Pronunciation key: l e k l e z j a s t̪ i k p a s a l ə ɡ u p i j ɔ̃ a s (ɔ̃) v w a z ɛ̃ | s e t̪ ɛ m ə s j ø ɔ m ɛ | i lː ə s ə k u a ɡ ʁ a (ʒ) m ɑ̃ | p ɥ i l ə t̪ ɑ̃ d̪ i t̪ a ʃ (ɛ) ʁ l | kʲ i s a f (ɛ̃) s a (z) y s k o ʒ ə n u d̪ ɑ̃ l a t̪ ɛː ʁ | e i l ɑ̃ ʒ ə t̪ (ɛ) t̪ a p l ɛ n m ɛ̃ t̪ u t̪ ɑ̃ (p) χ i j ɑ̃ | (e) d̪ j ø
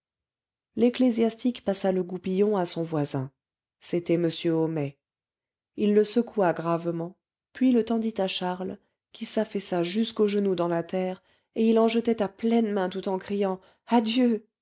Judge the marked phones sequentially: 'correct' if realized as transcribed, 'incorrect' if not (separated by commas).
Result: correct, incorrect, incorrect, incorrect, incorrect, correct, incorrect, incorrect